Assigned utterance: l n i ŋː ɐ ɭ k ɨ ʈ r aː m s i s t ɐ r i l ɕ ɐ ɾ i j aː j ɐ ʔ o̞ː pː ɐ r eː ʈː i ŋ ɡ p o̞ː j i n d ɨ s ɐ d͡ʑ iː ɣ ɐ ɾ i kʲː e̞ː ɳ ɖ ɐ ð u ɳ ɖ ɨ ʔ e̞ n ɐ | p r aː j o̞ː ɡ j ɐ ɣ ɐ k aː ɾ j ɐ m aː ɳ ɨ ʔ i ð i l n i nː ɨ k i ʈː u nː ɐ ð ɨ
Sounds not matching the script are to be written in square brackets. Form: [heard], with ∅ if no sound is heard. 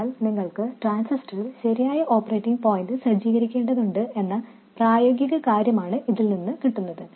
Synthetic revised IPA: l n i ŋː ɐ ɭ k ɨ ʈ r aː [n] s i s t ɐ r i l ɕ ɐ ɾ i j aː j ɐ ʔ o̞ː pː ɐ r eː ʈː i ŋ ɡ p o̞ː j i n d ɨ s ɐ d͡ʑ iː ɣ ɐ ɾ i kʲː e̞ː ɳ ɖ ɐ ð u ɳ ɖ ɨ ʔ e̞ [nː] ɐ | p r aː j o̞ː ɡ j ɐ ɣ ɐ k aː ɾ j ɐ m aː ɳ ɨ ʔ i ð i l n i nː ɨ k i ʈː u nː ɐ ð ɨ